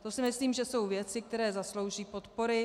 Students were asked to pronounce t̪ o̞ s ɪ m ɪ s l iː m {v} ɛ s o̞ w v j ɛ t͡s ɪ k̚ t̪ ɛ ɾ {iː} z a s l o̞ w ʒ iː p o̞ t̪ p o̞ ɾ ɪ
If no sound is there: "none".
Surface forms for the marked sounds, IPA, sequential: ʒ, ɛː

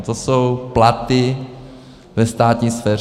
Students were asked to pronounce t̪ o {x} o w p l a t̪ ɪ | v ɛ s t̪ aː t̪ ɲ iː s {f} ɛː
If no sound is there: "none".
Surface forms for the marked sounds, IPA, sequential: s, f

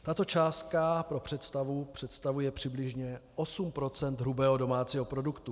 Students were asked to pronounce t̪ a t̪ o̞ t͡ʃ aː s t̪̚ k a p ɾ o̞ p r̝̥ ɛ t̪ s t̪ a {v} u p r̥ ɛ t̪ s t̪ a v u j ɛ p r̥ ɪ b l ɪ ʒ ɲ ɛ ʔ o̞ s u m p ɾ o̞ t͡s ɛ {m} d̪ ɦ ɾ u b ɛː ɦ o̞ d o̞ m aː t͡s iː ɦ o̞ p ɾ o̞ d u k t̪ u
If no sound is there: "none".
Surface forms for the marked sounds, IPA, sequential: v, n

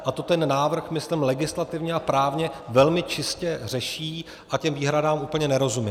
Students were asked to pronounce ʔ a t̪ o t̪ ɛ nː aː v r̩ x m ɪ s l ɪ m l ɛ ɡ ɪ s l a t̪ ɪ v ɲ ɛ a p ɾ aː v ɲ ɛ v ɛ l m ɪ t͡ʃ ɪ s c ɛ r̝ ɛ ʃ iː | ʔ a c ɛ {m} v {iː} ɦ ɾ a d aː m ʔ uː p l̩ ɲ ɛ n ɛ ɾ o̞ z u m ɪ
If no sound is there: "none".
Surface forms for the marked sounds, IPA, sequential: m, iː

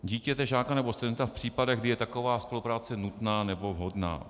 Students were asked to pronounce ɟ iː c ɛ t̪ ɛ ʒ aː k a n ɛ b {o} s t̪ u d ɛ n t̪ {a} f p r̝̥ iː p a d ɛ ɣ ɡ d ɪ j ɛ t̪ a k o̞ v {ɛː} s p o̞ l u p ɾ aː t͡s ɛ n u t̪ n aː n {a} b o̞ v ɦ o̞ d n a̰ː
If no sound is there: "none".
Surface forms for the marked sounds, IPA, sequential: o, a, aː, ɛ

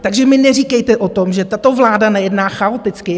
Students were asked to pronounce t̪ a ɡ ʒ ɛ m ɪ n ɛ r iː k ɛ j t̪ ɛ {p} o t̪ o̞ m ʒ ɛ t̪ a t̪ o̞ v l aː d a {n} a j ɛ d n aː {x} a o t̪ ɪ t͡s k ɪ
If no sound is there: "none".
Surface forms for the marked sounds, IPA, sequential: ʔ, n, x

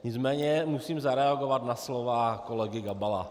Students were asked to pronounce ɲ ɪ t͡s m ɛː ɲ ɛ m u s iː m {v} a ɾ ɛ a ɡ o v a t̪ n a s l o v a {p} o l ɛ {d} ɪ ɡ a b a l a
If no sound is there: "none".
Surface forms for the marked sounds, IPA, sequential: z, k, ɡ

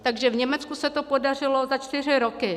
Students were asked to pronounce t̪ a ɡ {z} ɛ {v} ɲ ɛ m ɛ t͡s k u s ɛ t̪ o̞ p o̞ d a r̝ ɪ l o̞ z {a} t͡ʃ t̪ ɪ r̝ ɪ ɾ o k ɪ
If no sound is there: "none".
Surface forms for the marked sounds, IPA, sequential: ʒ, v, a

